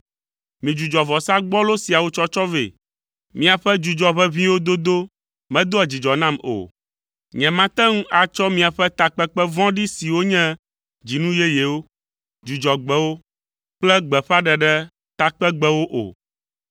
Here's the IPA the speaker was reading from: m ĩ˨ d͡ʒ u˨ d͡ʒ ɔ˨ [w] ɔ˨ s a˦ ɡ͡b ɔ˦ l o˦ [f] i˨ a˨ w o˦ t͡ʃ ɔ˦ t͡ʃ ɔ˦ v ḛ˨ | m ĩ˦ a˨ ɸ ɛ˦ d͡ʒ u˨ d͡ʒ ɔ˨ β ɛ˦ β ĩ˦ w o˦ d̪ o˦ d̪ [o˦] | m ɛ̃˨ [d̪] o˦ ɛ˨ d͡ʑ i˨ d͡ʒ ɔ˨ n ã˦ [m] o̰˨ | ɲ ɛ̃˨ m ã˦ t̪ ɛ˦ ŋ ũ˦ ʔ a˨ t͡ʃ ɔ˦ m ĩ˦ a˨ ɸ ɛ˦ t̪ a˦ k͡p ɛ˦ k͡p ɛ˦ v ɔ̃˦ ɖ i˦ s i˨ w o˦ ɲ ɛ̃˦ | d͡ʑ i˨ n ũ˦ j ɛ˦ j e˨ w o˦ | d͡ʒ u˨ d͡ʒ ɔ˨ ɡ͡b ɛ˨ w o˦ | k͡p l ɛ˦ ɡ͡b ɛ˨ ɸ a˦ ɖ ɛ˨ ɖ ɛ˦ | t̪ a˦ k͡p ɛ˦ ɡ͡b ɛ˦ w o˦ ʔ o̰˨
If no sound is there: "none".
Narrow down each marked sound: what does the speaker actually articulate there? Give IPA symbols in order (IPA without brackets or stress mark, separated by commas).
v, s, o˦, d̪, m